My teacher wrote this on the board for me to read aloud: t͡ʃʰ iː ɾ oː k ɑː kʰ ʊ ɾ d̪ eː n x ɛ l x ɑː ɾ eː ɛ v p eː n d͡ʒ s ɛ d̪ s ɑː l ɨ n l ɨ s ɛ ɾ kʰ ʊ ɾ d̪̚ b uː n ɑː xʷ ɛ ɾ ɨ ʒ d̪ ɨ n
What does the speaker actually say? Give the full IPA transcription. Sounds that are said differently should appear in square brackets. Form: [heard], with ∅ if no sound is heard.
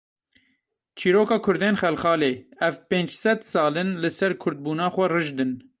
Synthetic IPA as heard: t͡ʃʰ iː ɾ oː k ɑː kʰ ʊ ɾ d̪ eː n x ɛ l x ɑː [l] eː ɛ v p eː n d͡ʒ s ɛ d̪ s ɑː l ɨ n l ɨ s ɛ ɾ kʰ ʊ ɾ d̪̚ b uː n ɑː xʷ ɛ [r] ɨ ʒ d̪ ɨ n